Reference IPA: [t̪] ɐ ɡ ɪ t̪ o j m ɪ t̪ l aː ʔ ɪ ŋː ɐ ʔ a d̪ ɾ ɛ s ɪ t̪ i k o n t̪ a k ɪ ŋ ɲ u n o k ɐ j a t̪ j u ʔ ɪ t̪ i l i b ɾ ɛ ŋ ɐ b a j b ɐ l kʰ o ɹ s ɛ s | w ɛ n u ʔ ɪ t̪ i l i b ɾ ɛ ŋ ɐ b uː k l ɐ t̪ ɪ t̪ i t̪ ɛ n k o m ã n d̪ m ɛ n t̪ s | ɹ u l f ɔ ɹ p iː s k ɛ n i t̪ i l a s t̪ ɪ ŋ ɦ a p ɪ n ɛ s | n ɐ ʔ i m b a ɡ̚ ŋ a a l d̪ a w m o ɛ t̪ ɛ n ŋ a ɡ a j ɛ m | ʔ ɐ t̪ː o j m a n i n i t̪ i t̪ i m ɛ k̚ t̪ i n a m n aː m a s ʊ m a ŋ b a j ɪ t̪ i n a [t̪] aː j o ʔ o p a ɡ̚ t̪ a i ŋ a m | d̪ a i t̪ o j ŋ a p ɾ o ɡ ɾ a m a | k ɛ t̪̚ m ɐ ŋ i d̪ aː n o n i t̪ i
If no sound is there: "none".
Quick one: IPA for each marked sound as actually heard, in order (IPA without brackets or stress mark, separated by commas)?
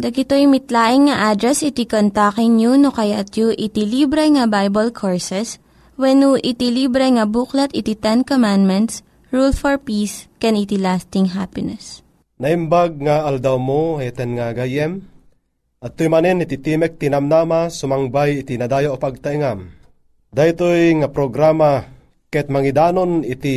d̪, d̪